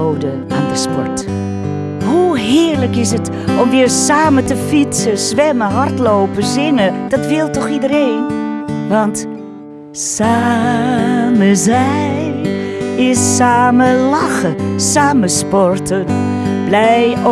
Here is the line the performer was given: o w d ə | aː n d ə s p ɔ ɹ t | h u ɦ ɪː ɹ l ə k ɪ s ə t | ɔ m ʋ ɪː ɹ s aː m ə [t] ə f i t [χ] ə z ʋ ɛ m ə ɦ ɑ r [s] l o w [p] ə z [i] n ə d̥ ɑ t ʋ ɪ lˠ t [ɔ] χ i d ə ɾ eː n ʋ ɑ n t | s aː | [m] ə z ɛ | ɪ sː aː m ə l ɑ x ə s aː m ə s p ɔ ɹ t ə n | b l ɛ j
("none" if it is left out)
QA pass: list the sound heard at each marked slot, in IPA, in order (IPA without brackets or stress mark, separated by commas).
t, s, t, p, ɪ, ɔ, m